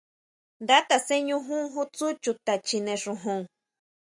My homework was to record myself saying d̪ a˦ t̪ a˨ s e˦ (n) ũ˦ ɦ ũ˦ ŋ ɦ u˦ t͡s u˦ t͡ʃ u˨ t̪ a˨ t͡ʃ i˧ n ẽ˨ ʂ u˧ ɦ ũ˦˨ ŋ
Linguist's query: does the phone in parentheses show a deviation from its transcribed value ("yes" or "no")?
yes